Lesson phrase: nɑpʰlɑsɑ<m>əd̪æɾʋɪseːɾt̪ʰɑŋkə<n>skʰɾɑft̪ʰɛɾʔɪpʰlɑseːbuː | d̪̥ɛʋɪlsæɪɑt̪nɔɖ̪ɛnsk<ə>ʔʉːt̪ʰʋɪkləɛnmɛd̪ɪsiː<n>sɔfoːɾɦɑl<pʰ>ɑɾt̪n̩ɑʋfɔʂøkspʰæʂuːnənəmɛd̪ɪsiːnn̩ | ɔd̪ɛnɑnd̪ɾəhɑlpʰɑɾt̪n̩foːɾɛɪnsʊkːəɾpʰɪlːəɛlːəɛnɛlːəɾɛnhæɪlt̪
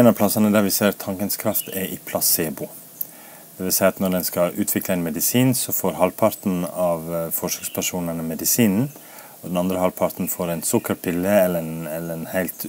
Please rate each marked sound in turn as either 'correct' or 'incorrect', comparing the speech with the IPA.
incorrect, correct, incorrect, correct, correct

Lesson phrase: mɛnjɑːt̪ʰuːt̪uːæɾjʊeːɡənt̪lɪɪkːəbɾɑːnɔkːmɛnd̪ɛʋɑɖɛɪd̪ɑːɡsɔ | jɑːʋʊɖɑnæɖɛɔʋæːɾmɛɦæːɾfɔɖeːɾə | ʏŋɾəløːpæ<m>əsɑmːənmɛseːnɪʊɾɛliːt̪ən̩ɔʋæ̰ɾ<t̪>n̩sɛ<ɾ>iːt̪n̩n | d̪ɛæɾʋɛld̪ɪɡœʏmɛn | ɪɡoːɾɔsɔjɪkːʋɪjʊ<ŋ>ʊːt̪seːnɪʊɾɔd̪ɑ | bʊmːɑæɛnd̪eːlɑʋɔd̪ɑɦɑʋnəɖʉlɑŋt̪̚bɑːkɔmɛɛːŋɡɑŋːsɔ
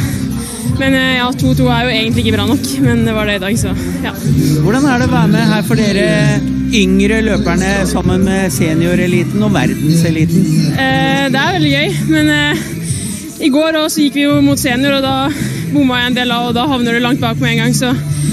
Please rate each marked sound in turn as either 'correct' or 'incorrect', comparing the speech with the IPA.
incorrect, incorrect, incorrect, incorrect

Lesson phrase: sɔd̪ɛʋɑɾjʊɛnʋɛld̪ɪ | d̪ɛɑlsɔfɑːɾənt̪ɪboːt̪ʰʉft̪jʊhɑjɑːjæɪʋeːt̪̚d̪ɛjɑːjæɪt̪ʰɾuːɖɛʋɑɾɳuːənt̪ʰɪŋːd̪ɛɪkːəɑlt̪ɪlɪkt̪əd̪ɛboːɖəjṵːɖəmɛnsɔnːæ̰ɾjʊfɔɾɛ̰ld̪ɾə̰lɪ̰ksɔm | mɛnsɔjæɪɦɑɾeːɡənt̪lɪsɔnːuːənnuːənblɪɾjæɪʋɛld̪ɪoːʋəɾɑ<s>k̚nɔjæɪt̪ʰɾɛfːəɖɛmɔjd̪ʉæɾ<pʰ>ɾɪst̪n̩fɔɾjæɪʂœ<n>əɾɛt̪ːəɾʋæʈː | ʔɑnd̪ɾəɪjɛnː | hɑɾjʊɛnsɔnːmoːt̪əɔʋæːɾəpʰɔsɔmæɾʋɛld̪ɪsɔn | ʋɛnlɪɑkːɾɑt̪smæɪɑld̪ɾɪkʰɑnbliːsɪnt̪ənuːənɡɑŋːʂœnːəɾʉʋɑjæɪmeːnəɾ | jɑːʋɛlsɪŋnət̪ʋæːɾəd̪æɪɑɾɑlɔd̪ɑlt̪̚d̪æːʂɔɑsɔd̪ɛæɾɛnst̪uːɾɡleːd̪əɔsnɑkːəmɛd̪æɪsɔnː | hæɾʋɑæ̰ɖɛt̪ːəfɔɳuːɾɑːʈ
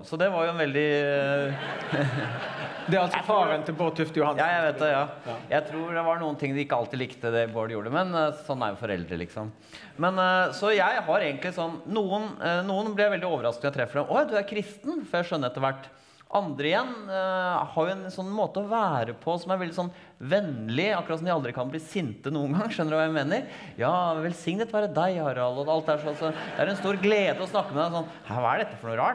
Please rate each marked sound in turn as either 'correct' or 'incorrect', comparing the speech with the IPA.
correct, incorrect, incorrect

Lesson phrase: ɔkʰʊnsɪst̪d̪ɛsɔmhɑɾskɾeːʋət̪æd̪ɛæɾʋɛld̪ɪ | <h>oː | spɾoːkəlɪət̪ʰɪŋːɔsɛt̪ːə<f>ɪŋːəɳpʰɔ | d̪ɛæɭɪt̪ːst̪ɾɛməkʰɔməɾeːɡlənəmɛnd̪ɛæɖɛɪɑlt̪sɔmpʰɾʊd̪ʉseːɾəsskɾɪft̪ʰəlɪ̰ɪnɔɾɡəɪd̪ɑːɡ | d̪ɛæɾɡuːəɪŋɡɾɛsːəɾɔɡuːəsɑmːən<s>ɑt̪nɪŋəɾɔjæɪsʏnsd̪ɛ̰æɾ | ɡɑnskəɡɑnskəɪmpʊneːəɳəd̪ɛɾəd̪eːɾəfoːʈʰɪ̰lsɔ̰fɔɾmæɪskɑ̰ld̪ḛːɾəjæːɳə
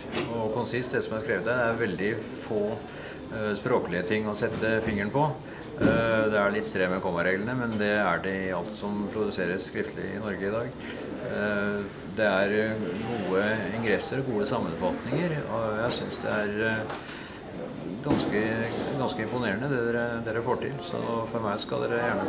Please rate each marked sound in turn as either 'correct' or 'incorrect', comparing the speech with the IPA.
incorrect, correct, incorrect

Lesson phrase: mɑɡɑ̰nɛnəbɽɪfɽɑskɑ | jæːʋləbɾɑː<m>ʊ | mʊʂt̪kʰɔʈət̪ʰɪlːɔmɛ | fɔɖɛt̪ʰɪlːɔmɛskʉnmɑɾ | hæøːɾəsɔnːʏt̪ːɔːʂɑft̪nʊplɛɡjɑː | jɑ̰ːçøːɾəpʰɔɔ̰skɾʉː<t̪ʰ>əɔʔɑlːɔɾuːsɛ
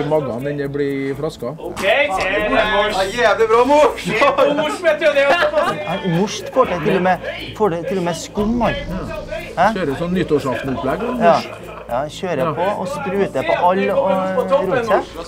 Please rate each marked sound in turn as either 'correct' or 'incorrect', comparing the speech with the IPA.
correct, incorrect

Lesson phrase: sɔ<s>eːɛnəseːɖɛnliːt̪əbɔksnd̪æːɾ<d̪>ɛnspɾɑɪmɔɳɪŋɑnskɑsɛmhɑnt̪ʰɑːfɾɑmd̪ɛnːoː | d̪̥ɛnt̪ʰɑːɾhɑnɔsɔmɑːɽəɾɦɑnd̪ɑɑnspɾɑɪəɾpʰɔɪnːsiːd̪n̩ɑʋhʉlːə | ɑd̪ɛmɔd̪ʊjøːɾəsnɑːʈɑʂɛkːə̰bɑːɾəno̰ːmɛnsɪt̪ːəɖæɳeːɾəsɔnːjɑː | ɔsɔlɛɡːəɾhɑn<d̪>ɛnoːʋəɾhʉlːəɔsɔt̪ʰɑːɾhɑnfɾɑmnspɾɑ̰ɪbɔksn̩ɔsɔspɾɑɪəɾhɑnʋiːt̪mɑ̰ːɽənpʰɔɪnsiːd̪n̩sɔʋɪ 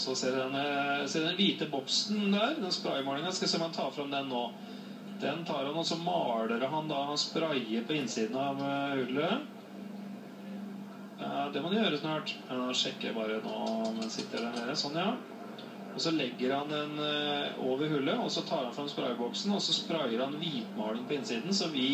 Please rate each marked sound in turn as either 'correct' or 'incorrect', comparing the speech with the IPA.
correct, correct, correct

